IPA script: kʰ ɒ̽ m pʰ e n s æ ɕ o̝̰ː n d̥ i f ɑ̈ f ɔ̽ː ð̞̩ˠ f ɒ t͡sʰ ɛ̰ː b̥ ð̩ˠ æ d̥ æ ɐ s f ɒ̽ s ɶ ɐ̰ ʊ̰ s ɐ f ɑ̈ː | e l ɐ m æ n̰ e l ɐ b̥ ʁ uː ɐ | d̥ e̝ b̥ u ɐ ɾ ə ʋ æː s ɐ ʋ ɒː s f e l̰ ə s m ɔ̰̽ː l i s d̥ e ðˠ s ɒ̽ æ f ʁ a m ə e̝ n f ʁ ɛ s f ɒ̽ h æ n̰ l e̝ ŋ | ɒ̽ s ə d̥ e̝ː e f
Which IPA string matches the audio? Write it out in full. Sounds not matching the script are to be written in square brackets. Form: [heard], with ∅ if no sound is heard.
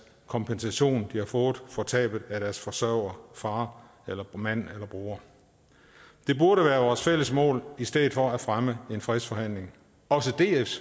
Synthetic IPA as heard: kʰ ɒ̽ m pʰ e n s æ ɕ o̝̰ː n d̥ i [h] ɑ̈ f ɔ̽ː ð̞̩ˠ f ɒ t͡sʰ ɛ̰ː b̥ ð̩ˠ æ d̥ æ ɐ s f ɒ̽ s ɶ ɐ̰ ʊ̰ [∅] ɐ f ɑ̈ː | e l ɐ m æ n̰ e l ɐ b̥ ʁ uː ɐ | d̥ e̝ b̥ u ɐ ɾ ə ʋ æː [∅] ɐ ʋ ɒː s f e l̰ ə s m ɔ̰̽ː l i s d̥ e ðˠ [f] ɒ̽ æ f ʁ a m ə e̝ n f ʁ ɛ s f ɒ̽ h æ n̰ l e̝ ŋ | ɒ̽ s ə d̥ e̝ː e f